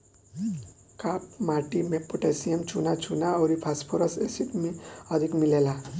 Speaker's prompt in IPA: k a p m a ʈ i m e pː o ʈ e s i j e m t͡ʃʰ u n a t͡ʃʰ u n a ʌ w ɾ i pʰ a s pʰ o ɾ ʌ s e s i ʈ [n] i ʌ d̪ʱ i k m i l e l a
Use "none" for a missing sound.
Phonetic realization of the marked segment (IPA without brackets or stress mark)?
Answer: m